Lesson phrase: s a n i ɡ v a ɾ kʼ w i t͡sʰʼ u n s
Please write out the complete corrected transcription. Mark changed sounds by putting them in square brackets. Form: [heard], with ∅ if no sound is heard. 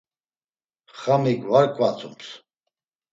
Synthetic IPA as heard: [χ] a [m] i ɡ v a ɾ kʼ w [a] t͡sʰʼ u [m] s